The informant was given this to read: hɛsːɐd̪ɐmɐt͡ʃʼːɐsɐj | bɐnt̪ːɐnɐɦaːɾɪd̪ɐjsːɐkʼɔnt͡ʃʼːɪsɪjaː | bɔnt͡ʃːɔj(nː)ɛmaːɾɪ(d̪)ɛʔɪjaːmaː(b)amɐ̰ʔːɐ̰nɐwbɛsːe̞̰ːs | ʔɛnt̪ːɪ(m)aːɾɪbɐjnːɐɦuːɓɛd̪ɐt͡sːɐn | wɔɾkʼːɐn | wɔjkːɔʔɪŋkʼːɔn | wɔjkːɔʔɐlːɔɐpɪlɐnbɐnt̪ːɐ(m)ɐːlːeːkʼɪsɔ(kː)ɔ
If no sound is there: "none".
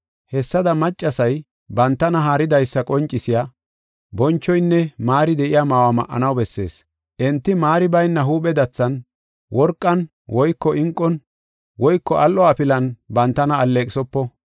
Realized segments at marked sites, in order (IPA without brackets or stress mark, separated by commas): nː, d̪, w, m, n, pː